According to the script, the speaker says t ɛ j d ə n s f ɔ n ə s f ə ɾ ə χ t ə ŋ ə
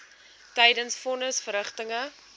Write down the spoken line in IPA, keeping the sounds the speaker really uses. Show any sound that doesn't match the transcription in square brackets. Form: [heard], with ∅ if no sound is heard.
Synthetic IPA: t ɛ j d ə n s f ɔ n ə s f ə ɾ ə χ t ə ŋ ə